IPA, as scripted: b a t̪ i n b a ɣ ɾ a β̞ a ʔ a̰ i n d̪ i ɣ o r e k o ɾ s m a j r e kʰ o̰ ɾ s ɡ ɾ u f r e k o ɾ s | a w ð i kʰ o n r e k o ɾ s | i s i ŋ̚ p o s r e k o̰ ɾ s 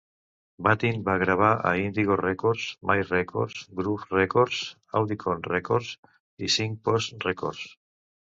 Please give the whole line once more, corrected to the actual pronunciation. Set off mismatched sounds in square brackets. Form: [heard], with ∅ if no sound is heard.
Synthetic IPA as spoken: b a t̪ i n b a ɣ ɾ a β̞ a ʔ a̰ i n d̪ i ɣ o r e k o ɾ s m a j r e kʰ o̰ ɾ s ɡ ɾ u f r e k o ɾ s | a w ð i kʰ o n r e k o ɾ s | i s i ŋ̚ p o s r e k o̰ ɾ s